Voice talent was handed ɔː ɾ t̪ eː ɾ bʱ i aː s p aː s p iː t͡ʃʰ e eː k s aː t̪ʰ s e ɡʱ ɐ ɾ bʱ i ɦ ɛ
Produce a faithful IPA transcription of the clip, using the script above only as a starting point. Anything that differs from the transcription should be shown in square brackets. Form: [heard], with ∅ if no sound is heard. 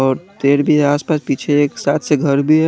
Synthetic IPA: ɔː ɾ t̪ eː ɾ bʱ i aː s p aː s p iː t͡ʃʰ e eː k s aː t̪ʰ s e ɡʱ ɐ ɾ bʱ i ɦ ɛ